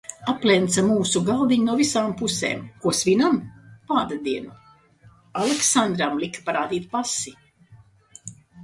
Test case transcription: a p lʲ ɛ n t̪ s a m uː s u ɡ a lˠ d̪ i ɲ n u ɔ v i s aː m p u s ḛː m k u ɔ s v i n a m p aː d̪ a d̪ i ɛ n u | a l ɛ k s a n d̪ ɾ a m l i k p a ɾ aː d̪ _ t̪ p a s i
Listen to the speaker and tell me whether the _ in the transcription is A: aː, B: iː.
B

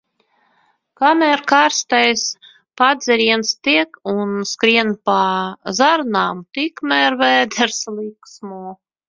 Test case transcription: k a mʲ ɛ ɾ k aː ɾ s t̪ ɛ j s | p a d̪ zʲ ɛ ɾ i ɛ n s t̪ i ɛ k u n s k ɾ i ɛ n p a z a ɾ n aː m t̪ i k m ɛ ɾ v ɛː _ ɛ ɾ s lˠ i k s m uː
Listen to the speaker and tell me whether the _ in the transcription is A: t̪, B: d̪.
B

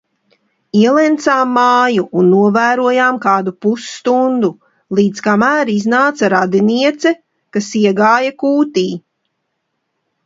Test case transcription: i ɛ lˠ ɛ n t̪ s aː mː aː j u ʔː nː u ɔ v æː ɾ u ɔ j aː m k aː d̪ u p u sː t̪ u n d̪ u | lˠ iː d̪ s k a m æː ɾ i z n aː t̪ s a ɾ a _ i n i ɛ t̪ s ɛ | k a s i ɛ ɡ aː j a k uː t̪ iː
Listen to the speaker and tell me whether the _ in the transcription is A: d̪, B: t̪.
A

